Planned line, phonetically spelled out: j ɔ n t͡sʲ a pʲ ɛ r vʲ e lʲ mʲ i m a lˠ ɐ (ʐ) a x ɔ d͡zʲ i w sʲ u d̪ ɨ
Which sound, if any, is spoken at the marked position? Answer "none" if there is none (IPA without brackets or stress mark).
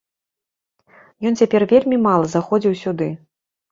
z